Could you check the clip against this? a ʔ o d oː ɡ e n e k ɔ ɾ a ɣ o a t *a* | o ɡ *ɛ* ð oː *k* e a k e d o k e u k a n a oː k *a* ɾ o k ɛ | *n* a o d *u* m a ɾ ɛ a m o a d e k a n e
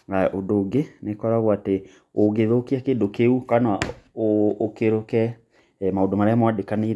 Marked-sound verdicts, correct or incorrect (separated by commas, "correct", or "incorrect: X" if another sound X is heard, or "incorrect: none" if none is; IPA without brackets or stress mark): incorrect: e, incorrect: e, correct, incorrect: e, incorrect: m, incorrect: o